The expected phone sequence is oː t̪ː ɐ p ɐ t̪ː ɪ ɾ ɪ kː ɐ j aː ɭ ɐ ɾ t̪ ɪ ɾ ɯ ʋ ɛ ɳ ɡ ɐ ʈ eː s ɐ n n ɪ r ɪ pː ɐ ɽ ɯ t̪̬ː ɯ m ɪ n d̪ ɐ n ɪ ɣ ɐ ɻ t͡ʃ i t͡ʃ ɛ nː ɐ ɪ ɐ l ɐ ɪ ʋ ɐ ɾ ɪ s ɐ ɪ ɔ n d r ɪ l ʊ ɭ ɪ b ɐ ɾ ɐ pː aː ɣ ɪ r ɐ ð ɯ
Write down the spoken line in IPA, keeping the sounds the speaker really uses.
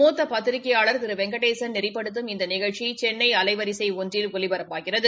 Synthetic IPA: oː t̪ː ɐ p ɐ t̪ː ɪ ɾ ɪ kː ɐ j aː ɭ ɐ ɾ t̪ ɪ ɾ ɯ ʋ ɛ ŋ ɡ ɐ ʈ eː s ɐ n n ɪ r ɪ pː ɐ ɽ ɯ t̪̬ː ɯ m ɪ n d̪ ɐ n ɪ ɣ ɐ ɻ t͡ʃ i t͡ʃ ɛ nː ɐ ɪ ɐ l ɐ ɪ ʋ ɐ ɾ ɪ s ɐ ɪ ɔ n d r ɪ l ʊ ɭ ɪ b ɐ ɾ ɐ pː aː ɣ ɪ r ɐ ð ɯ